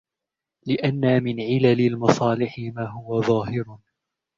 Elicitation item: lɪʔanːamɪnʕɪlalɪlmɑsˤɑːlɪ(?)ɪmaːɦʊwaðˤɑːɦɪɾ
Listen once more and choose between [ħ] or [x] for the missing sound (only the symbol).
ħ